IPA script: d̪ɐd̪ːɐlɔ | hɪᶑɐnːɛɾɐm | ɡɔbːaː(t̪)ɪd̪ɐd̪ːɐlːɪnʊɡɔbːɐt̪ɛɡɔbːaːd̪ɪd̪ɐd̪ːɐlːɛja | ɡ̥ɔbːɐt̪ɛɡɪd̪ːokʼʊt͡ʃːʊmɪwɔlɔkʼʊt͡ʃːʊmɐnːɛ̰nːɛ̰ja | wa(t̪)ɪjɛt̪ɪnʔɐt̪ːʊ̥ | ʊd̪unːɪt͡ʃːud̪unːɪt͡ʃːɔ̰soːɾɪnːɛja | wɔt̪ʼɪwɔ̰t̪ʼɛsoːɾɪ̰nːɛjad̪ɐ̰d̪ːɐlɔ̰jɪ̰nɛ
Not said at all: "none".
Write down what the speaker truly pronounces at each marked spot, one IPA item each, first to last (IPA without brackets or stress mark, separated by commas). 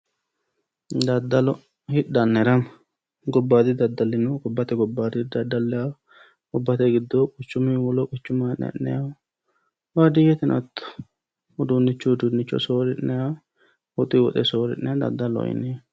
d̪, d̪